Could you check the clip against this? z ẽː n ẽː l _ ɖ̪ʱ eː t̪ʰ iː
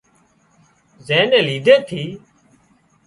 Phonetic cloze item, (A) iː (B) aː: A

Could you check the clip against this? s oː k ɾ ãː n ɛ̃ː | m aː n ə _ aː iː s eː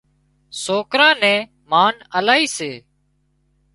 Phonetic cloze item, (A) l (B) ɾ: A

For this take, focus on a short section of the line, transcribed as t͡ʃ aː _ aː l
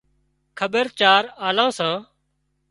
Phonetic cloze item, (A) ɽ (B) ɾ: B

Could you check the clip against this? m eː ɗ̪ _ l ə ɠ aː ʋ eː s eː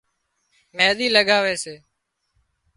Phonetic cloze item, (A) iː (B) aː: A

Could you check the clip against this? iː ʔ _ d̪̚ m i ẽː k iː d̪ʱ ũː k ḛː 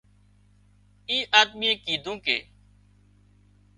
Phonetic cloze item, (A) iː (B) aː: B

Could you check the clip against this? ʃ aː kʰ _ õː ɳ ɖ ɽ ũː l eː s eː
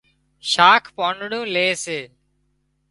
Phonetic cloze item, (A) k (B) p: B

